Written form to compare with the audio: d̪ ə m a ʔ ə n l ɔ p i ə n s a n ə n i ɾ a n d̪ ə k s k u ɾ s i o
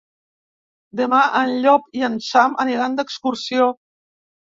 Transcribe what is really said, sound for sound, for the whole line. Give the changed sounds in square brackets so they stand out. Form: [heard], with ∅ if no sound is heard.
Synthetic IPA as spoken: d̪ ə m a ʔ ə n [ʎ] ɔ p i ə n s a [m] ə n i ɾ a n d̪ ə k s k u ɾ s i o